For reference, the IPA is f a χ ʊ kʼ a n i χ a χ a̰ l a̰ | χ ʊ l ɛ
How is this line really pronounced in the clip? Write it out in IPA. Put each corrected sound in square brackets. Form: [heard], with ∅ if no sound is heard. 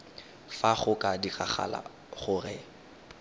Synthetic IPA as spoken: f a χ ʊ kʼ a [d] i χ a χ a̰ l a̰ | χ ʊ [r] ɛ